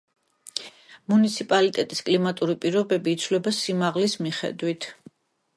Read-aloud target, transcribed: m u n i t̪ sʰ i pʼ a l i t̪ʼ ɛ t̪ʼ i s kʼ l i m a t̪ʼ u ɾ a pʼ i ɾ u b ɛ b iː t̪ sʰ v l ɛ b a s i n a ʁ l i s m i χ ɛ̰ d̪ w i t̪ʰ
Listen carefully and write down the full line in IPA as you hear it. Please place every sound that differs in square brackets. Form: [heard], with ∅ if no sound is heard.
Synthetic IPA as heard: m u n i t̪ sʰ i pʼ a l i t̪ʼ ɛ t̪ʼ i s kʼ l i m a t̪ʼ u ɾ [i] pʼ i ɾ [ɔ] b ɛ b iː t̪ sʰ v l ɛ b a s i [m] a ʁ l i s m i χ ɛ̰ d̪ w i t̪ʰ